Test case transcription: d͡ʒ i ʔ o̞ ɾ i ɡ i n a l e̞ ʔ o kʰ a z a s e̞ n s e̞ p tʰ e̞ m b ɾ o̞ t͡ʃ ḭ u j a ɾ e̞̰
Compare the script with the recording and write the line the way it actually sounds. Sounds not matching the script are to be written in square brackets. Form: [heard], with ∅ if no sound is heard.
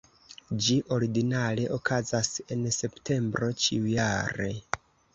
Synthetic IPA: d͡ʒ i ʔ o̞ ɾ i ɡ i n a l e̞ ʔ o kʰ a z a s e̞ n s e̞ p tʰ e̞ m b ɾ o̞ t͡ʃ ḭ u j a ɾ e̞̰